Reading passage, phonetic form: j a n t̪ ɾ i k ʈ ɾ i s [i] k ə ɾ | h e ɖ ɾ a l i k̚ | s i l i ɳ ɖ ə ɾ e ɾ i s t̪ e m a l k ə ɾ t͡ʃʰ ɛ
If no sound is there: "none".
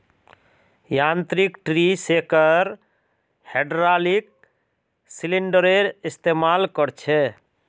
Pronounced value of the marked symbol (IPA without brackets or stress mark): e